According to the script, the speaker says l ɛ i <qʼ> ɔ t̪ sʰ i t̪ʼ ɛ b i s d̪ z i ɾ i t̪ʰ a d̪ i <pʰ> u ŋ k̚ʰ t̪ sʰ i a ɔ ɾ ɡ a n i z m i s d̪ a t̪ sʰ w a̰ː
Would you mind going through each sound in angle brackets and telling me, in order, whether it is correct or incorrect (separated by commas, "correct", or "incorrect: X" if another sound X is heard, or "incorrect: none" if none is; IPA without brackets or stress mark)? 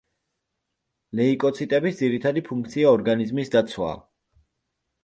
incorrect: kʼ, correct